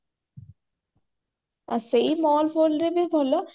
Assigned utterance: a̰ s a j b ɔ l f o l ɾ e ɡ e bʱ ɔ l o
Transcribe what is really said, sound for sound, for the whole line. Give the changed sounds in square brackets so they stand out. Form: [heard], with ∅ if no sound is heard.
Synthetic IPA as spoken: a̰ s [e] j [m] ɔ l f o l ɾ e [b] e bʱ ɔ l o

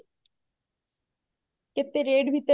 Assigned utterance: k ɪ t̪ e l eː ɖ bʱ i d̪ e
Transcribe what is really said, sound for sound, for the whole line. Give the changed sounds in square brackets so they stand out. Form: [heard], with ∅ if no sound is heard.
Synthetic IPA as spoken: k ɪ t̪ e [ɾ] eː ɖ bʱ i [t̪] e

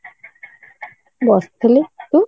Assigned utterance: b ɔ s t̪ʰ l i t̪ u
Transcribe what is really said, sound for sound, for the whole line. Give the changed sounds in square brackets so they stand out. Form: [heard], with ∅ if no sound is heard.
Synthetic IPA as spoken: b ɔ s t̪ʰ l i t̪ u

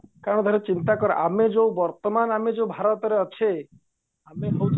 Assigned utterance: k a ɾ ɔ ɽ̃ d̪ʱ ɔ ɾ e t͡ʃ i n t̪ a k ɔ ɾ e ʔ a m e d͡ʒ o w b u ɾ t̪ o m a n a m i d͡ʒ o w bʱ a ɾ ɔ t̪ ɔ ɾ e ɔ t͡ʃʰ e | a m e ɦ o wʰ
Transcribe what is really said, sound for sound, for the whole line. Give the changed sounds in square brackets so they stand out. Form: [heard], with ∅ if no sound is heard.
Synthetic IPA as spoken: k a ɾ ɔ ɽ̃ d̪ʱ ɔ ɾ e t͡ʃ i n t̪ a k ɔ ɾ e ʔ a m e d͡ʒ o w b [ɔ] ɾ t̪ [ɔ] m a n a m [e] d͡ʒ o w bʱ a ɾ ɔ t̪ ɔ ɾ e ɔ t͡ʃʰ e | a m e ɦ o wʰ

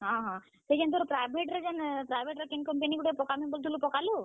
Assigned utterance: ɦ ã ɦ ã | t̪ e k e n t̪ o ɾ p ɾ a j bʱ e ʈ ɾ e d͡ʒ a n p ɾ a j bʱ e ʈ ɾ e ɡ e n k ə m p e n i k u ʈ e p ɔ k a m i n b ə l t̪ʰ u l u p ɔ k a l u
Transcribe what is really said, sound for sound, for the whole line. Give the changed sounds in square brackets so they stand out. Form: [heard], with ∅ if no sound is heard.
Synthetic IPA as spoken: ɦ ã ɦ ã | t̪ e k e n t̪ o ɾ p ɾ a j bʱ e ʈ ɾ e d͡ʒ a n p ɾ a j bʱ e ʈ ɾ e [k] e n k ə m p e n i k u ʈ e p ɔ k a m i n b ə l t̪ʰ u l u p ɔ k a l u

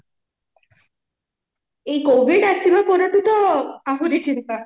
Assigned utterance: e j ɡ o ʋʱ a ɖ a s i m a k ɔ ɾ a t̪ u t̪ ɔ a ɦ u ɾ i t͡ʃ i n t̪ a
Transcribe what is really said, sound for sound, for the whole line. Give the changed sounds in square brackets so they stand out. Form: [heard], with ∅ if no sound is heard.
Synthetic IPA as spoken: e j [k] o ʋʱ [i] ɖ a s i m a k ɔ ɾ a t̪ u t̪ ɔ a ɦ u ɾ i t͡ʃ i n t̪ a

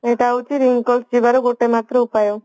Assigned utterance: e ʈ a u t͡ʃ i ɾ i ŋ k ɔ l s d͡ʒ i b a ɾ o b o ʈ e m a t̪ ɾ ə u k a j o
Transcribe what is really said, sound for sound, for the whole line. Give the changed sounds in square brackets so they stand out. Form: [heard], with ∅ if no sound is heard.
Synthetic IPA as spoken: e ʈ a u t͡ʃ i ɾ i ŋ k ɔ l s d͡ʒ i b a ɾ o [ɡ] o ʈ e m a t̪ ɾ ə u [p] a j o

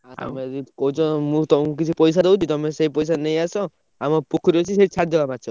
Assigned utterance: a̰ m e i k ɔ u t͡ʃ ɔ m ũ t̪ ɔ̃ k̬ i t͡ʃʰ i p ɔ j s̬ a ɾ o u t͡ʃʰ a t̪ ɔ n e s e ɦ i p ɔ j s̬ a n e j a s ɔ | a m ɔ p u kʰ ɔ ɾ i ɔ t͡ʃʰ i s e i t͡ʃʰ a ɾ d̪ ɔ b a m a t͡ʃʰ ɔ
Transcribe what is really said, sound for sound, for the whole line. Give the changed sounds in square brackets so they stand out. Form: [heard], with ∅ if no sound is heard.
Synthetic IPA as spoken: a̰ m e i k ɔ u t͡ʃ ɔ m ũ t̪ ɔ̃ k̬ i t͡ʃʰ i p ɔ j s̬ a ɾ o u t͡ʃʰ [i] t̪ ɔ [m] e s e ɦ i p ɔ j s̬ a n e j a s ɔ | a m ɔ p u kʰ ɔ ɾ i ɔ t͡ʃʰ i s e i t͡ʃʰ a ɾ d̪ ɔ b a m a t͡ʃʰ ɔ

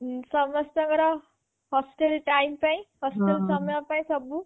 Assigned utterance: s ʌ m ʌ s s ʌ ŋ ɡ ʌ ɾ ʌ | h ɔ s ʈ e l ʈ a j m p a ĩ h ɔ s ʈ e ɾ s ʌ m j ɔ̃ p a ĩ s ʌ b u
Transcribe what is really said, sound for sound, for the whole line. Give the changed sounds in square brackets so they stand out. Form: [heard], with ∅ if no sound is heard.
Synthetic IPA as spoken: s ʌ m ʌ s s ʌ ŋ ɡ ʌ ɾ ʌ | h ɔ s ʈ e l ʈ a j m p a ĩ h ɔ s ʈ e [l] s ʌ m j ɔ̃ p a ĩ s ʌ b u

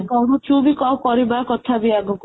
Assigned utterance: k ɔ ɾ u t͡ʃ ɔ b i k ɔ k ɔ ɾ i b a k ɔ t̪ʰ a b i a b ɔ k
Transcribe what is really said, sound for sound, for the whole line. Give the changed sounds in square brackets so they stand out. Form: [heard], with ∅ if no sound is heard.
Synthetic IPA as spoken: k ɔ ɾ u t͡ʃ [u] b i k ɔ k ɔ ɾ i b a k ɔ t̪ʰ a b i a [ɡ] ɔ k

